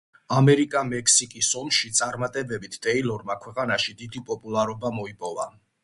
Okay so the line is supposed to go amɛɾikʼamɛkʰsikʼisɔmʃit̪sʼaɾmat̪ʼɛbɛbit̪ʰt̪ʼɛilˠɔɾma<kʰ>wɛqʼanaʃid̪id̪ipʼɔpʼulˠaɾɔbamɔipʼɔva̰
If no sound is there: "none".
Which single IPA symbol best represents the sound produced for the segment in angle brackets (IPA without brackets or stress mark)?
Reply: kʰ